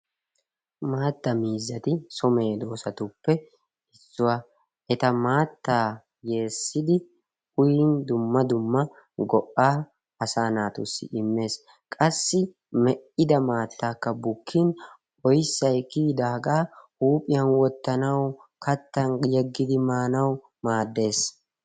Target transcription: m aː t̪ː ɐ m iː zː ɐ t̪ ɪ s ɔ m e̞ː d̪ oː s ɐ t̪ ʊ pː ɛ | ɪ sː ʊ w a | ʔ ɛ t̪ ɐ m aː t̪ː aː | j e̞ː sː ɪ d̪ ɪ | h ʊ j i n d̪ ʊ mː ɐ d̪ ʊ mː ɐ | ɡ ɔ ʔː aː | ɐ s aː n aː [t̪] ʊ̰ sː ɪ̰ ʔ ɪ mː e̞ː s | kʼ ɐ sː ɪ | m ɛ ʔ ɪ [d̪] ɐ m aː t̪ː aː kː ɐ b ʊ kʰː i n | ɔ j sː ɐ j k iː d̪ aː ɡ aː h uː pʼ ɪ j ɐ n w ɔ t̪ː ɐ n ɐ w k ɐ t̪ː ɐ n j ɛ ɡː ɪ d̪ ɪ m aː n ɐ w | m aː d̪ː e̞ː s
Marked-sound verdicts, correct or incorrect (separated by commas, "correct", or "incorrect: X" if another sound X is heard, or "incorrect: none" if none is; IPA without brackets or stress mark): correct, correct